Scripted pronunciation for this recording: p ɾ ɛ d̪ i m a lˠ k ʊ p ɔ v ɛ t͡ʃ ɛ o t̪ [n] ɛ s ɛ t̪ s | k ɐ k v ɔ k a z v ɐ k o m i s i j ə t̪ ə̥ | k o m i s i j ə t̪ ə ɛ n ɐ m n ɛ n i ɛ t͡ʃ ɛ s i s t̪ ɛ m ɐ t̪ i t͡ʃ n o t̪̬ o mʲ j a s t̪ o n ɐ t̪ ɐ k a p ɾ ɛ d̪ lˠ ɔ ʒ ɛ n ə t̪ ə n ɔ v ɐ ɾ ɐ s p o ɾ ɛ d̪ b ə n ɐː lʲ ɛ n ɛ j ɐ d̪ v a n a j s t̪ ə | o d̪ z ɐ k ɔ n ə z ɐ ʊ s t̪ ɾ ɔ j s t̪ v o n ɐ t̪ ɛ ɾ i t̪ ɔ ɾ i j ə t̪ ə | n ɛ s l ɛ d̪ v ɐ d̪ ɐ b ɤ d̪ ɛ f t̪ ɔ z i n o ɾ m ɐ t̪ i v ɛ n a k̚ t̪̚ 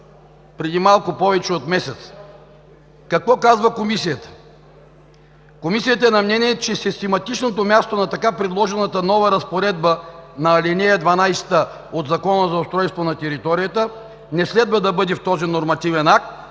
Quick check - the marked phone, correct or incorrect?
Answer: incorrect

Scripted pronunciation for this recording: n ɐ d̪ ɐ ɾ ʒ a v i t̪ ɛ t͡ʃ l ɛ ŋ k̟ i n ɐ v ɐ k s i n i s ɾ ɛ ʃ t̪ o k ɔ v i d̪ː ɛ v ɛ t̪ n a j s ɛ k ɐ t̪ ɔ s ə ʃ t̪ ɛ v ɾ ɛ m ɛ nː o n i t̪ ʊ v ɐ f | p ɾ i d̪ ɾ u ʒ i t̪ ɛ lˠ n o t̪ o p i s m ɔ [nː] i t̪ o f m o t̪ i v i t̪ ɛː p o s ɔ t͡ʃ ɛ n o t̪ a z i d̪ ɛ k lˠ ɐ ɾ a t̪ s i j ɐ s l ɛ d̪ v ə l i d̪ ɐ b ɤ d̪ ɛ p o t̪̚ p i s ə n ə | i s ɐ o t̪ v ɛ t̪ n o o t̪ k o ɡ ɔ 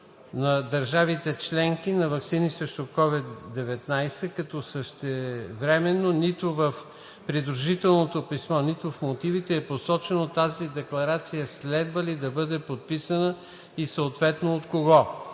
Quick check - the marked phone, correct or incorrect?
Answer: incorrect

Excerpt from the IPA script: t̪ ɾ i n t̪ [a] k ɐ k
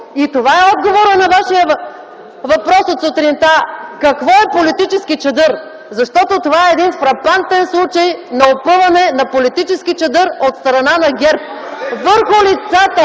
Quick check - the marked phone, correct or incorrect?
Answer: correct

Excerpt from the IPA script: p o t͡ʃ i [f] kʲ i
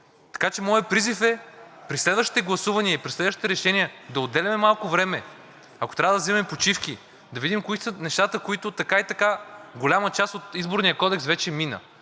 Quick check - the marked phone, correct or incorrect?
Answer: correct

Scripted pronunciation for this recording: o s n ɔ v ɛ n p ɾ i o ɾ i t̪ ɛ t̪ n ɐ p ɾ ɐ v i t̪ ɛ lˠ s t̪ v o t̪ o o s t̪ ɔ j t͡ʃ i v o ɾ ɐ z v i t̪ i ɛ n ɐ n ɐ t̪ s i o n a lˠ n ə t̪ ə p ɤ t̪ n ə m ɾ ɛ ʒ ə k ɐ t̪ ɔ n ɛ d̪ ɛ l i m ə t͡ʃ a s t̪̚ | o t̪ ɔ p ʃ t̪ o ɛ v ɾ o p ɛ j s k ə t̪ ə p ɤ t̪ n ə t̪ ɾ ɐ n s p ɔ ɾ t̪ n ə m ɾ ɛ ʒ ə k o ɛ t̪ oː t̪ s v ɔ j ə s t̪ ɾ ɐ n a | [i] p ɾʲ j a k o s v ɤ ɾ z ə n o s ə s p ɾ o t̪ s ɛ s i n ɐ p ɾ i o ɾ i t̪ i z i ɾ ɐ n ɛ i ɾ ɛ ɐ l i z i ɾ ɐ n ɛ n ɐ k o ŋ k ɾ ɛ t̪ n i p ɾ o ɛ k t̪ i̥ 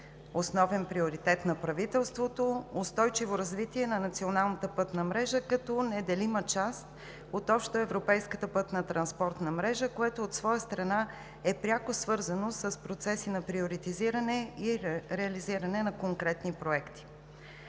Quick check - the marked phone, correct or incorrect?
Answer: incorrect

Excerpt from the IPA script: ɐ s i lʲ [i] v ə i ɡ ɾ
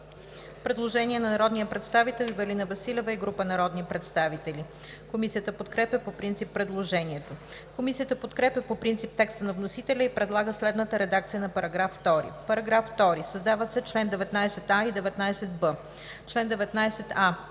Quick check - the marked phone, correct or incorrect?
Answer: incorrect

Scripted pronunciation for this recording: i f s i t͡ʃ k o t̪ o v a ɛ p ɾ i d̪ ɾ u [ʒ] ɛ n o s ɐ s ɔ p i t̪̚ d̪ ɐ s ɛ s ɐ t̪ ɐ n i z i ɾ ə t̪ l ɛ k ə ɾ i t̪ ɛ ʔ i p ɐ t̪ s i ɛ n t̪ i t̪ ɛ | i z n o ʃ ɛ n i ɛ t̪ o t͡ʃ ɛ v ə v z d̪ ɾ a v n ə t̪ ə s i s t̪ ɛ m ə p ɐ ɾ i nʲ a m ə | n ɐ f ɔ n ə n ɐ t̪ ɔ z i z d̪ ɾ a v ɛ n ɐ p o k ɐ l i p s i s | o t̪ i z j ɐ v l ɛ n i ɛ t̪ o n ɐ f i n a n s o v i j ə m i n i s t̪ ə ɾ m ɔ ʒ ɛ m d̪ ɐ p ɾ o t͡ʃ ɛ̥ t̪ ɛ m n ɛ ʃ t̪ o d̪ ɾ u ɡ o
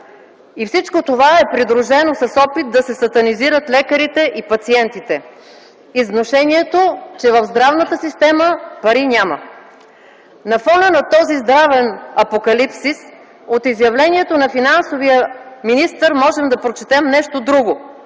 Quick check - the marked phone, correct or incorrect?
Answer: correct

